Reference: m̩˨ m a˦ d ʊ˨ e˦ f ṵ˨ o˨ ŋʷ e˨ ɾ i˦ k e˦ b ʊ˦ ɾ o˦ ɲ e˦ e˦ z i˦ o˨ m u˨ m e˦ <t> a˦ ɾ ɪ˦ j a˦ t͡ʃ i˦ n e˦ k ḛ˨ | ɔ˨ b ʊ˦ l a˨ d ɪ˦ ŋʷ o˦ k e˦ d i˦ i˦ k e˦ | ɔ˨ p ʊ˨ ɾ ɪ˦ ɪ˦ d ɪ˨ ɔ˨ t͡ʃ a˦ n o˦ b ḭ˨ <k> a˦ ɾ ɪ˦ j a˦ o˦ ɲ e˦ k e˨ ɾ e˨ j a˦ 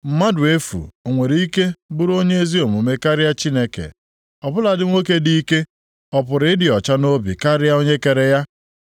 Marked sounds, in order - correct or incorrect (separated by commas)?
incorrect, correct